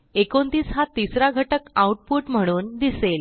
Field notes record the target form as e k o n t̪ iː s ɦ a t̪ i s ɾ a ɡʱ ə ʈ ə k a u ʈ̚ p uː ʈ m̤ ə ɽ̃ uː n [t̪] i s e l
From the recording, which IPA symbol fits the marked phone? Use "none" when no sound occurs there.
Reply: d̪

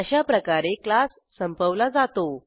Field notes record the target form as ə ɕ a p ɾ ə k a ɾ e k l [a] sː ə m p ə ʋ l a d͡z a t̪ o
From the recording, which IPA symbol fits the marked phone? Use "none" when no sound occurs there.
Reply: a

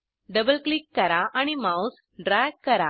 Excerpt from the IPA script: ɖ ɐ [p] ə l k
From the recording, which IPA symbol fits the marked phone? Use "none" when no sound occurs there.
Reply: b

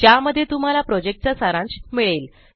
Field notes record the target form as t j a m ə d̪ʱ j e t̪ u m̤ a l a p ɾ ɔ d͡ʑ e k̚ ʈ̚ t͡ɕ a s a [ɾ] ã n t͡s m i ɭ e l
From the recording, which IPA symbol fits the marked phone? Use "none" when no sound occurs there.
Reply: ɾ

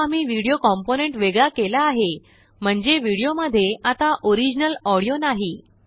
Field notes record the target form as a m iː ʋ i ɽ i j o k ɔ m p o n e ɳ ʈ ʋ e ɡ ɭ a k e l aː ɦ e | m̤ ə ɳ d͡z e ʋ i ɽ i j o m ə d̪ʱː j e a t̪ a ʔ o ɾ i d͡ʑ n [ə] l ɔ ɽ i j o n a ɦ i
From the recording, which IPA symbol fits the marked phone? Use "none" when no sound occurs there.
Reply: ə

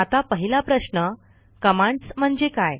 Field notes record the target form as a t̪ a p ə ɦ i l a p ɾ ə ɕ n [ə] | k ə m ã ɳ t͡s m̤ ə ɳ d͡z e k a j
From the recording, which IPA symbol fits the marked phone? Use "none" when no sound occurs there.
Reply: ə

